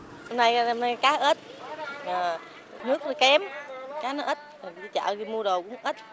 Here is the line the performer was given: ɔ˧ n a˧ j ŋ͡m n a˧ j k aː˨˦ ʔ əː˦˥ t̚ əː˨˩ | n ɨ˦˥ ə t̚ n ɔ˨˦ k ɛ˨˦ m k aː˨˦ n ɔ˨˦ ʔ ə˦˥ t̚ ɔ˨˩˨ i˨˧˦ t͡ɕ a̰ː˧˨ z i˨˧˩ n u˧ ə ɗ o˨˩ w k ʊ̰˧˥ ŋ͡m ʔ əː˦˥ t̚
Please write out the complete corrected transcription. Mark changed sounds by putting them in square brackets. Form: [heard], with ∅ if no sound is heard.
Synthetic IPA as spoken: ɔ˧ n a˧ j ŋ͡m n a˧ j k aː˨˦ ʔ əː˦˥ t̚ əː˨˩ | n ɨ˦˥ ə [k̚] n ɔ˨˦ k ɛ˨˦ m k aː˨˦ n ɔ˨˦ ʔ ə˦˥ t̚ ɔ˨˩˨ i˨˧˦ t͡ɕ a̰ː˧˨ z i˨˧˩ [m] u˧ ə ɗ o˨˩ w k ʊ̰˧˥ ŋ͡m ʔ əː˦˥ t̚